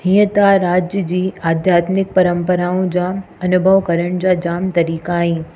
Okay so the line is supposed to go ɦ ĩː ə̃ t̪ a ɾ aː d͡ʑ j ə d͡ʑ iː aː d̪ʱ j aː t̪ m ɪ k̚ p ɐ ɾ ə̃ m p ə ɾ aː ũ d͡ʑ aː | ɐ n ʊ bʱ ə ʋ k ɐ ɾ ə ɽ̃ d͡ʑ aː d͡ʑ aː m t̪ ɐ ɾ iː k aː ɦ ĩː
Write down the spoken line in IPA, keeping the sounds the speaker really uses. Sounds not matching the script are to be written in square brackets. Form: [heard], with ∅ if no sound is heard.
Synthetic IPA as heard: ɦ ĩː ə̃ t̪ a ɾ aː d͡ʑ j ə d͡ʑ iː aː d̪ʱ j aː t̪ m ɪ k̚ p ɐ ɾ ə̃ m p ə ɾ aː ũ d͡ʑ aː | ɐ n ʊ bʱ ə ʋ k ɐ ɾ ə ɽ̃ d͡ʑ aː d͡ʑ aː m t̪ ɐ ɾ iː k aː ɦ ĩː